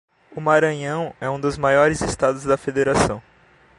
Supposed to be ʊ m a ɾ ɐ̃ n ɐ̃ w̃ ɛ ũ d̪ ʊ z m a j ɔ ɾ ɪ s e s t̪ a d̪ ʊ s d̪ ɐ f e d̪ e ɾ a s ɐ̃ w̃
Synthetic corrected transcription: ʊ m a ɾ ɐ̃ ɲ ɐ̃ w̃ ɛ ũ d̪ ʊ z m a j ɔ ɾ ɪ z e s t̪ a d̪ ʊ z d̪ ɐ f e d̪ e ɾ a s ɐ̃ w̃